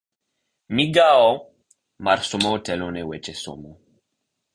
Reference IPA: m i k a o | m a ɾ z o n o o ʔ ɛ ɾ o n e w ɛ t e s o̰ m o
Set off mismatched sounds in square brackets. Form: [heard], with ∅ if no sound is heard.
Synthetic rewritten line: m i [ɡ] a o | m a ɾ [s] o [m] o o [t] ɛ [l] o n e w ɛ [t͡ʃ] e s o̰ m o

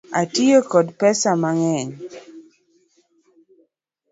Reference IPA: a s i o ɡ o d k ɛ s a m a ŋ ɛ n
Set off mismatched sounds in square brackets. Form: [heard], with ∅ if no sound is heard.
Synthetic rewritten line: a [t] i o [k] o d [p] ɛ s a m a ŋ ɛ [ɲ]

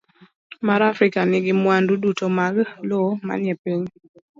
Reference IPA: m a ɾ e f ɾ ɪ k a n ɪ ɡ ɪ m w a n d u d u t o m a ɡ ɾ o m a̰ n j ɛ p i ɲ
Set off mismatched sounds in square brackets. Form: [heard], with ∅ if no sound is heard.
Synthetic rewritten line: m a ɾ [a] f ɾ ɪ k a n ɪ ɡ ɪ m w a n d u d u t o m a ɡ [l] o m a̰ n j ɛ p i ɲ

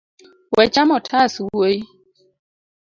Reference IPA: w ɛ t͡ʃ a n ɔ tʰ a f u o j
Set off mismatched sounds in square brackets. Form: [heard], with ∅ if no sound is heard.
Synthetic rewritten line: w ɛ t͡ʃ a [m] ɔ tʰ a [s] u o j

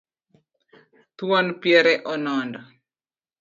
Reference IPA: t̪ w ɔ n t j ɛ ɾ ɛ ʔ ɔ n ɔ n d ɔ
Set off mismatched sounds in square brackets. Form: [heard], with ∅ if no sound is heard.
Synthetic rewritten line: t̪ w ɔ n [p] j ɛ ɾ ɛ ʔ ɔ n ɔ n d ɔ

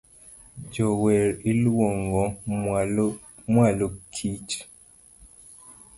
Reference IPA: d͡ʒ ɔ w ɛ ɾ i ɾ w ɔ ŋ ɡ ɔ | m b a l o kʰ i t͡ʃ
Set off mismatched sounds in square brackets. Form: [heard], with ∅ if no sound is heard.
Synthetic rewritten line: d͡ʒ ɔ w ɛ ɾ i [l] w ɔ ŋ ɡ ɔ | m [w] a l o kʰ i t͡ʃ

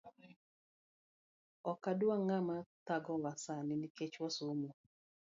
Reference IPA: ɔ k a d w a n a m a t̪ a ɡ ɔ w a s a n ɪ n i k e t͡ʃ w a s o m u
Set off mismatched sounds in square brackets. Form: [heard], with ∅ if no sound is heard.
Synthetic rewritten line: ɔ k a d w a [ŋ] a m a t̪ a ɡ ɔ w a s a n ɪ n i k e t͡ʃ w a s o m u

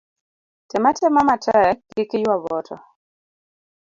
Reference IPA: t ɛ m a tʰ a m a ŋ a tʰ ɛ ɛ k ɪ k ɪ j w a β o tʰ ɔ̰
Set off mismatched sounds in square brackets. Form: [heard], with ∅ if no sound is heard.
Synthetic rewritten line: t ɛ m a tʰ [ɛ] m a [m] a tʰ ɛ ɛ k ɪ k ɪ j w a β [ɔ] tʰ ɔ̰

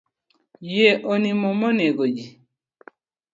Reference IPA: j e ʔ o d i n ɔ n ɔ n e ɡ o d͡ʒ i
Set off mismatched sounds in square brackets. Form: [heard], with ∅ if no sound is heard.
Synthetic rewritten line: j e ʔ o [n] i [m] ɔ [m] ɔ n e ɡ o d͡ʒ i

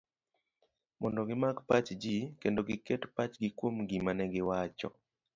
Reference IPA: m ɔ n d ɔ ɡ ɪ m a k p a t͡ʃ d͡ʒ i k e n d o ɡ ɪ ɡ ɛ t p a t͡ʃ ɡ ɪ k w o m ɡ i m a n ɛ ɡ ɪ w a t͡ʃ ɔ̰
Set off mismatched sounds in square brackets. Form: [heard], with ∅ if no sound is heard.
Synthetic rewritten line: m ɔ n d ɔ ɡ ɪ m a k p a t͡ʃ d͡ʒ i k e n d o ɡ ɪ [k] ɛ t p a t͡ʃ ɡ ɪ k w o m ɡ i m a n ɛ ɡ ɪ w a t͡ʃ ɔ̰

